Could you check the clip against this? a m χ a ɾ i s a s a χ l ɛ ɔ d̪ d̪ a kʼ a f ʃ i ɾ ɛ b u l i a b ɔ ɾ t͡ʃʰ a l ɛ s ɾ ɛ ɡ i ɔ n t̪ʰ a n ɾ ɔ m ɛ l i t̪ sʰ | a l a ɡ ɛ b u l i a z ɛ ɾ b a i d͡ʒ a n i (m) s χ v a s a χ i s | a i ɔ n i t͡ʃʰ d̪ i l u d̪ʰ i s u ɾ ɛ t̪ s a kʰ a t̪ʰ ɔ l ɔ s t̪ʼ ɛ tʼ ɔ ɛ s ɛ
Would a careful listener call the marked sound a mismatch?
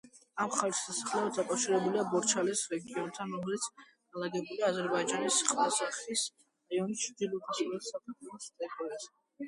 yes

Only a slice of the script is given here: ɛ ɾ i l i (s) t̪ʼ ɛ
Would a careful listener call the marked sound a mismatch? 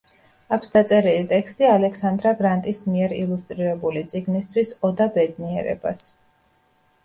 yes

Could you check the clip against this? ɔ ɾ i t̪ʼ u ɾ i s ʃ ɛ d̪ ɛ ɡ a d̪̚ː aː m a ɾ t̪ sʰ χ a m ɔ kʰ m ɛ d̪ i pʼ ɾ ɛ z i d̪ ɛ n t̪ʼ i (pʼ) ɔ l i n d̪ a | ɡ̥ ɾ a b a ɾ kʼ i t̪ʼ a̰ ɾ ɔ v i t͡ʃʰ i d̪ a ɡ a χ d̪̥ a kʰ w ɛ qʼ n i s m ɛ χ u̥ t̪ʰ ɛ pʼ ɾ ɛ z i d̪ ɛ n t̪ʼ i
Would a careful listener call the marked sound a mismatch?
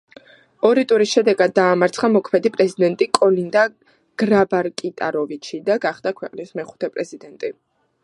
yes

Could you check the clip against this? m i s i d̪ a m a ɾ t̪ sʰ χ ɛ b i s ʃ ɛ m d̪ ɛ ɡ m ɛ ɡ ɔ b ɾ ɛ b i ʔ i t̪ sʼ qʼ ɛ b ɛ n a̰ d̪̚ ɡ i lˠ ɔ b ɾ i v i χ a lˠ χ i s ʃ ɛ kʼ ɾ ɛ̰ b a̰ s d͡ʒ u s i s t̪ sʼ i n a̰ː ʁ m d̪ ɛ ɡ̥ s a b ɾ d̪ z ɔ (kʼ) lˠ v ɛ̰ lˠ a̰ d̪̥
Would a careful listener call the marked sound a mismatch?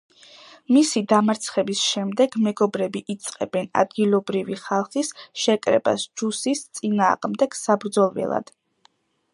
yes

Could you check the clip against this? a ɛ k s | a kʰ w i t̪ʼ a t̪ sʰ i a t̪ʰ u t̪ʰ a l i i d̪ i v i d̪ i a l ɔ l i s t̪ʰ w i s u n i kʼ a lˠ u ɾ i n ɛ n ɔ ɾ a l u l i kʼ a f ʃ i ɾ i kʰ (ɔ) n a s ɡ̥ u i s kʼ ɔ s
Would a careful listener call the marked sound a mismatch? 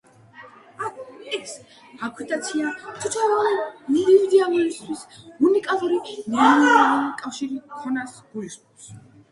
no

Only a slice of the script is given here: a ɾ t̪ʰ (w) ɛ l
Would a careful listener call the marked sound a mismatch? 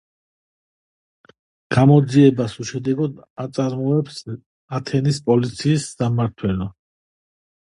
no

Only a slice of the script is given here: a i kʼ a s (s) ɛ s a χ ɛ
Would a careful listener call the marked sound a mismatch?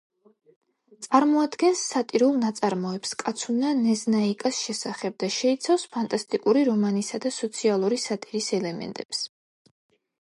yes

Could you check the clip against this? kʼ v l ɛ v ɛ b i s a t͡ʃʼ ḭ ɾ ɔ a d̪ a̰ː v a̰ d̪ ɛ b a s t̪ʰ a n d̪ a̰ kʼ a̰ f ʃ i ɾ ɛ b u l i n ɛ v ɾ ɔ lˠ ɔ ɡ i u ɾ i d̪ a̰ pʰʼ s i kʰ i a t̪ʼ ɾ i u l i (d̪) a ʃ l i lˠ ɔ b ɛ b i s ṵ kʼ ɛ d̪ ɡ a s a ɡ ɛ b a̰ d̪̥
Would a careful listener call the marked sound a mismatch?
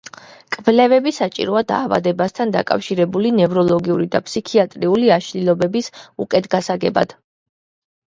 yes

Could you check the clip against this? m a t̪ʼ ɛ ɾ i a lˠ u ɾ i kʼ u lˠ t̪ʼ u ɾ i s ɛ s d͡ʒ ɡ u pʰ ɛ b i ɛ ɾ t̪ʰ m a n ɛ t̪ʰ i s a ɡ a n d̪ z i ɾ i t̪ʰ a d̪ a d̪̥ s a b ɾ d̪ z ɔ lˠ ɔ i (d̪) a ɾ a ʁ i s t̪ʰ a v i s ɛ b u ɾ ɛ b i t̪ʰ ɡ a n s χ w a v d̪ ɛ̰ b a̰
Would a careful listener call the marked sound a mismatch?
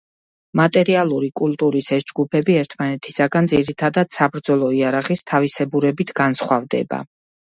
yes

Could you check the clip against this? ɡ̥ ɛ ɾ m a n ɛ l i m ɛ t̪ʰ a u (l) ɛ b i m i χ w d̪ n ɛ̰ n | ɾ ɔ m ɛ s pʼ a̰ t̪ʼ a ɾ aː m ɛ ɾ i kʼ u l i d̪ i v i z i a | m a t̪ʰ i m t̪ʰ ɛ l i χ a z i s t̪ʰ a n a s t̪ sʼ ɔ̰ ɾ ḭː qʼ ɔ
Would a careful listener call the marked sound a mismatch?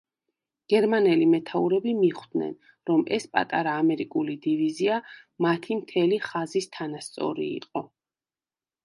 yes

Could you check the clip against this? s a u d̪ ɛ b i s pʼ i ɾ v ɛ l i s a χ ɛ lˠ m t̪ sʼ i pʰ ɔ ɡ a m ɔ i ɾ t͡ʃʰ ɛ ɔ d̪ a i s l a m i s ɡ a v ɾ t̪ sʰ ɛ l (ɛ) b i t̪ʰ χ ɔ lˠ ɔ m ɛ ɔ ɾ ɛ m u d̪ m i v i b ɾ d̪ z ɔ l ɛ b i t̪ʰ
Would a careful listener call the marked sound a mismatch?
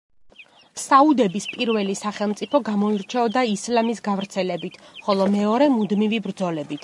no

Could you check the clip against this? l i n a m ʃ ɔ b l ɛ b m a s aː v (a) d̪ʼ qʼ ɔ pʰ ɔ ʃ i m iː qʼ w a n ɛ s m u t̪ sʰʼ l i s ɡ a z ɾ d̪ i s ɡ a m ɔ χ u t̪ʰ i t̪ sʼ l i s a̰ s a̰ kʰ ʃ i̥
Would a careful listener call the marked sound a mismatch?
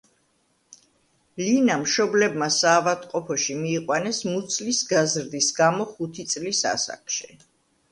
no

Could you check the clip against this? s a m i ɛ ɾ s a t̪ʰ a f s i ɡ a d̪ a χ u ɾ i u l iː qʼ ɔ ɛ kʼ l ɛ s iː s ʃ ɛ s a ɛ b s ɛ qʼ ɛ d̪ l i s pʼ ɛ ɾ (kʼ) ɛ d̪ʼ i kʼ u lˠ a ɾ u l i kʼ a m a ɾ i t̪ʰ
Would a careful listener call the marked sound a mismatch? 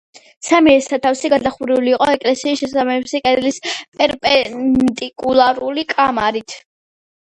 yes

